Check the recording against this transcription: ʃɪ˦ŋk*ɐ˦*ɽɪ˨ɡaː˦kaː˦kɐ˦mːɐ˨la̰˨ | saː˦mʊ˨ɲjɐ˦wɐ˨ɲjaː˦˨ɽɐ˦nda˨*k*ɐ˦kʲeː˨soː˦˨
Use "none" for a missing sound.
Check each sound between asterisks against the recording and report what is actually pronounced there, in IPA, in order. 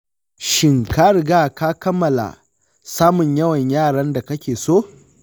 a˦, k

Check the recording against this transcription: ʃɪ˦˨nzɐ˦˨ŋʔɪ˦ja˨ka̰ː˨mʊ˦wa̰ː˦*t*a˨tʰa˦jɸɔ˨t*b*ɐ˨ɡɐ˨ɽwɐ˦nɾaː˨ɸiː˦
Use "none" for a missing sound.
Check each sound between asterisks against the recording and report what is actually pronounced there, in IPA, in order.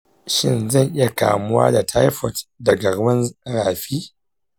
d, d

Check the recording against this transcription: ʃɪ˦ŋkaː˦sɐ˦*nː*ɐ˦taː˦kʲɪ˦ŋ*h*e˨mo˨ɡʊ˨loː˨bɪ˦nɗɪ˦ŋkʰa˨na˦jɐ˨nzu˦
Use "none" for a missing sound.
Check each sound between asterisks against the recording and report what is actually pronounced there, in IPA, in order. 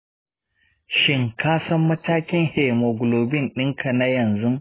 mː, h

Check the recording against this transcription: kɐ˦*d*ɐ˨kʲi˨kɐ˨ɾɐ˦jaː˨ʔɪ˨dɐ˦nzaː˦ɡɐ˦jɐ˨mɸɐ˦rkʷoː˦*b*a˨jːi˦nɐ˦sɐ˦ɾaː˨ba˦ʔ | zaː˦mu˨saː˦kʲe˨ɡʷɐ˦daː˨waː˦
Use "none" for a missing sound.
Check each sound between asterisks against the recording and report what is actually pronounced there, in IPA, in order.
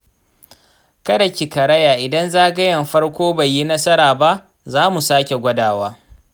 d, b

